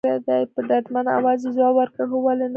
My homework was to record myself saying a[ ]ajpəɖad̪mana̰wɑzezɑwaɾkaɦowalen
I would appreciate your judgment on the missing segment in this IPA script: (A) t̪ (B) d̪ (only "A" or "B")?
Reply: B